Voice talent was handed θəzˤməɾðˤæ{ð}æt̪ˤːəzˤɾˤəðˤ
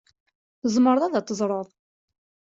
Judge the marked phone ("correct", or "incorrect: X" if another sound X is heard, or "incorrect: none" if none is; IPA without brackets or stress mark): correct